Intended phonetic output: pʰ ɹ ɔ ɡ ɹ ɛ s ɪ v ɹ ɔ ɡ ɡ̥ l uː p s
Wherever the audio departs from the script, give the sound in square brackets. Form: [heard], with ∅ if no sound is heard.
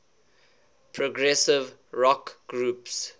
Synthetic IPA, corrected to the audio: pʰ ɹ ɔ ɡ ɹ ɛ s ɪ v ɹ ɔ [k] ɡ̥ [ɹ] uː p s

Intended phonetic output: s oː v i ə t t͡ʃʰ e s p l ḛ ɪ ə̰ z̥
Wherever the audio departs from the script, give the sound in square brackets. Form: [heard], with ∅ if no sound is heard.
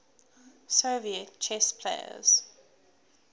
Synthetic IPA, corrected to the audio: s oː v i ə t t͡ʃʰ [ɛ] s [pʰ] l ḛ ɪ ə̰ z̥

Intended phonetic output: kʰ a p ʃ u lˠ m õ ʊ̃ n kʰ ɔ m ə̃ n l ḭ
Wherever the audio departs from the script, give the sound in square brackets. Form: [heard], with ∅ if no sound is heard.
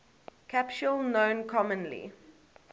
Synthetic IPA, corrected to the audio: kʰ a p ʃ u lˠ [n] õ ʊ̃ n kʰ ɔ m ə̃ n l ḭ

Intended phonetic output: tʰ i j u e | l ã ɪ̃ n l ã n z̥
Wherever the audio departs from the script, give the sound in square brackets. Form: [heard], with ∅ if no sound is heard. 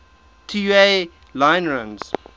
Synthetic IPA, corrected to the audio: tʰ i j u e | l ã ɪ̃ n [ɹ] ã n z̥

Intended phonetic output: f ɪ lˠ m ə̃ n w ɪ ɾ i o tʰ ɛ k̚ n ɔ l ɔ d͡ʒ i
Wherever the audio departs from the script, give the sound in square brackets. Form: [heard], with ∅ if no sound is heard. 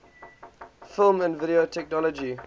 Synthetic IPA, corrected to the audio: f ɪ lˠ m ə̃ n [v] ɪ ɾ i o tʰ ɛ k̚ n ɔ l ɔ d͡ʒ i

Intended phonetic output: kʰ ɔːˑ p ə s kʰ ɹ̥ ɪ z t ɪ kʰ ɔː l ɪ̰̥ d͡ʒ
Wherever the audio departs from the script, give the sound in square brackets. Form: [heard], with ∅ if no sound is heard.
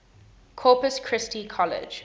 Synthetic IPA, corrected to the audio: kʰ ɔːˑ p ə s kʰ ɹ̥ ɪ [s] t [i] kʰ [ɔ] l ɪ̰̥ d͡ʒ

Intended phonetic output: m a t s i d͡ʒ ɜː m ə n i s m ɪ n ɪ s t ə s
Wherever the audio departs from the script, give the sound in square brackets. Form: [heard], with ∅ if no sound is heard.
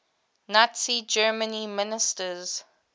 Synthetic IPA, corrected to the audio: [n] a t s i d͡ʒ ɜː m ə n i [∅] m ɪ n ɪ s t ə [z]

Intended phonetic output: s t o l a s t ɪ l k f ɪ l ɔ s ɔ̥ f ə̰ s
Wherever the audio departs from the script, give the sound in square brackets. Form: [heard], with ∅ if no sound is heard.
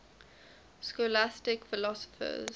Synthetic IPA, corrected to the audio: s [k] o l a s t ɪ [∅] k f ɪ l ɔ s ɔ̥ f ə̰ [z]

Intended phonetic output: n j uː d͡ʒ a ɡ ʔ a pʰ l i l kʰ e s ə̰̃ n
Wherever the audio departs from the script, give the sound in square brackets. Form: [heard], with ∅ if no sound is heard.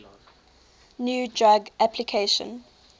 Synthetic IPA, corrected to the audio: n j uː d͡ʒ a ɡ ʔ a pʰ l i [∅] kʰ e [ʃ] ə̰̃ n

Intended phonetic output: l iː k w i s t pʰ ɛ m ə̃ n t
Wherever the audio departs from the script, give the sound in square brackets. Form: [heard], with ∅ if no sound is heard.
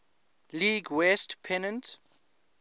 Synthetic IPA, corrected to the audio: l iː [ɡ] w [ɛ] s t pʰ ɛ [n] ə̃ n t

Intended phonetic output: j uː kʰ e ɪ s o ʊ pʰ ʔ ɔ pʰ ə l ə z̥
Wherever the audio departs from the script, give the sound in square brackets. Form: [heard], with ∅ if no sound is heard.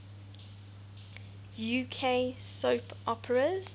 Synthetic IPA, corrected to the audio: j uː kʰ e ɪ s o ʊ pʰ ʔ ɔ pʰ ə [ɹ] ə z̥

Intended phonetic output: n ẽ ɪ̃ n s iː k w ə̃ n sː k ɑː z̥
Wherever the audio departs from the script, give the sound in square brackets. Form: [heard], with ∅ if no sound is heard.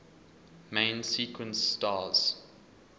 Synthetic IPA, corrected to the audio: [m] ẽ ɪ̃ n s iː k w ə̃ n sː [t] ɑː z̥

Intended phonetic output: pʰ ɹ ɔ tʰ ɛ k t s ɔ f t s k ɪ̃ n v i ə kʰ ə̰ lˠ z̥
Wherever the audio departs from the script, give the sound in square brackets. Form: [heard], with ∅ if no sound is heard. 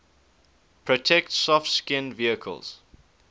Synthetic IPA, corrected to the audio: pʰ ɹ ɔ tʰ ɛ k t s ɔ f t s k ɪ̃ n v i ə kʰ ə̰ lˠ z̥

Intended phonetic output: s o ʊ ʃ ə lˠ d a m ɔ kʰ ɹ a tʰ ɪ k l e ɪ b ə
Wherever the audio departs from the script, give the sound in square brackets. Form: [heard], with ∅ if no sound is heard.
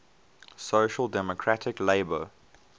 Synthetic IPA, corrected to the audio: s o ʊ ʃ ə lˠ d [ɛ] m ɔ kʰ ɹ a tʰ ɪ k l e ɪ b ə

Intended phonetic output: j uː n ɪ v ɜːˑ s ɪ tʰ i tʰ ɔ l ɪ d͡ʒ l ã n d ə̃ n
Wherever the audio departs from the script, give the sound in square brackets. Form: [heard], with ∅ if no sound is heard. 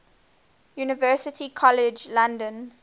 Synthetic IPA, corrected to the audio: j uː n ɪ v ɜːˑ s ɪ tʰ i [kʰ] ɔ l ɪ d͡ʒ l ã n d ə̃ n

